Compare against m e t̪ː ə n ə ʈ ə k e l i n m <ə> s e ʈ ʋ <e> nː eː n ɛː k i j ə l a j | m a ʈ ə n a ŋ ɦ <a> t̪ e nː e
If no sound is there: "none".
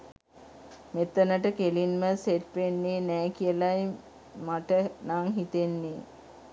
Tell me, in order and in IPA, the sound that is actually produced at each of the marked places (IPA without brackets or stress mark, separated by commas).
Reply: ə, e, i